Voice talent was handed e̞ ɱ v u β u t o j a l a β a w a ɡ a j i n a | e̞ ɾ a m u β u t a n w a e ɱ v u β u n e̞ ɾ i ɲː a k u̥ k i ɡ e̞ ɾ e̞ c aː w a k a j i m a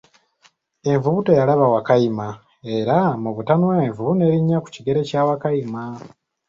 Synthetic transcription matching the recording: e̞ ɱ v u β u t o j a l a β a w a k a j i m a | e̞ ɾ a m u β u t a n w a e ɱ v u β u n e̞ ɾ i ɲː a k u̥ c i ɡ e̞ ɾ e̞ c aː w a k a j i m a